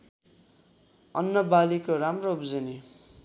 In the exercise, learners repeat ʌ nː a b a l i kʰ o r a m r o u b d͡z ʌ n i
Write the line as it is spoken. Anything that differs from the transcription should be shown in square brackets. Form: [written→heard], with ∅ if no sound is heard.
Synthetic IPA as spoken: ʌ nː [a→ʌ] b a l i [kʰ→k] o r a m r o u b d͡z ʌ n i